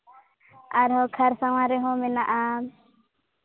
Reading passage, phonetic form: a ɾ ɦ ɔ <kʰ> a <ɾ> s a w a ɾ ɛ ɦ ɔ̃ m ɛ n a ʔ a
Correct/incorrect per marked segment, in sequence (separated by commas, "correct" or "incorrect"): correct, correct